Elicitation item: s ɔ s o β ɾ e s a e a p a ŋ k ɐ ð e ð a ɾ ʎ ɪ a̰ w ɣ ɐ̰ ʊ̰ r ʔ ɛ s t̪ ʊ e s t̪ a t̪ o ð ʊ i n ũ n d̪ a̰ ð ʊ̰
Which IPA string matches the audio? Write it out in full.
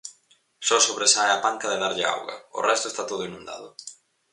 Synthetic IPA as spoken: s ɔ s o β ɾ e s a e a p a ŋ k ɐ ð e ð a ɾ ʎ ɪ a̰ w ɣ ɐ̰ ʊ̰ r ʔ ɛ s t̪ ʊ e s t̪ a t̪ o ð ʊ i n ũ n d̪ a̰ ð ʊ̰